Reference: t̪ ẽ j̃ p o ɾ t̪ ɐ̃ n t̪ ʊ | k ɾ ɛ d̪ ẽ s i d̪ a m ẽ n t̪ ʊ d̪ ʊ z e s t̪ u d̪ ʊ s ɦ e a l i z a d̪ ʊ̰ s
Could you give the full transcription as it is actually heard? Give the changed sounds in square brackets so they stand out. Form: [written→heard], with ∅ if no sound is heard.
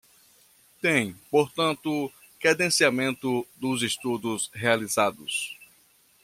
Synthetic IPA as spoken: t̪ ẽ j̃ p o ɾ t̪ ɐ̃ n t̪ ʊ | k ɾ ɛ d̪ ẽ s i [d̪→∅] a m ẽ n t̪ ʊ d̪ ʊ z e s t̪ u d̪ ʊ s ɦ e a l i z a d̪ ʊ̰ s